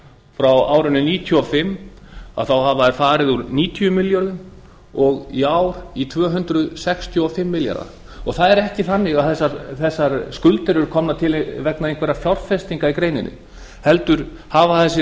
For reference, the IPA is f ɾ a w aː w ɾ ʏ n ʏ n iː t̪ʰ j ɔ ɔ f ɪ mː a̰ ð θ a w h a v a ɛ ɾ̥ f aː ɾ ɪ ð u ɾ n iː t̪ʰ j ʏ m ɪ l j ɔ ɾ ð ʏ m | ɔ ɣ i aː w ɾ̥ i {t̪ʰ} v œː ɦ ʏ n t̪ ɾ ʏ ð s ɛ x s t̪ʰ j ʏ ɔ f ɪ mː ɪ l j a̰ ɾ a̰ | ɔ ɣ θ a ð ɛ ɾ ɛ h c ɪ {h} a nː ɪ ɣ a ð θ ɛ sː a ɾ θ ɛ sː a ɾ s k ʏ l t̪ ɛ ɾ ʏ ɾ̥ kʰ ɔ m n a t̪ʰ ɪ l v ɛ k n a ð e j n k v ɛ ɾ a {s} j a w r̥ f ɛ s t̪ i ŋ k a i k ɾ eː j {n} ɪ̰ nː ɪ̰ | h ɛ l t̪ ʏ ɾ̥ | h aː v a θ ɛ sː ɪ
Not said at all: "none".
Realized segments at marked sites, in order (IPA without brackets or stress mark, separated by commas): t̪ʰ, θ, f, n